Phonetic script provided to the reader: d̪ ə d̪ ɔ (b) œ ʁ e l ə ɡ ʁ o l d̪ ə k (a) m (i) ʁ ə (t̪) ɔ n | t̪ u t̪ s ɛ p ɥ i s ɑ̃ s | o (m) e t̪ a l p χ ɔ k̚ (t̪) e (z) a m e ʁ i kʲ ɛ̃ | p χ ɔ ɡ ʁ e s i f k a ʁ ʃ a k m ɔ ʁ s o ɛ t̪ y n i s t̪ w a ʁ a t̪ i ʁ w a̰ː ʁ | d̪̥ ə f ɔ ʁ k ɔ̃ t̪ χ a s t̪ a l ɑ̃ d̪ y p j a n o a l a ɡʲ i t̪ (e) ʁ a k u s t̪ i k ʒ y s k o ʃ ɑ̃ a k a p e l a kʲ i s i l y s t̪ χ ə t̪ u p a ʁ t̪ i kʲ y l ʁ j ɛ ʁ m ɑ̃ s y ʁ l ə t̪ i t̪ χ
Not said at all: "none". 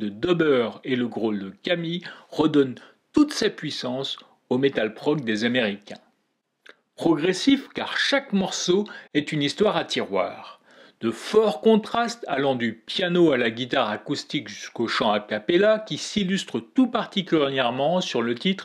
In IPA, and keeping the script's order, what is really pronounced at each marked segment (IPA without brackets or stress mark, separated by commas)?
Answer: b, a, i, d̪, m, d̪, z, a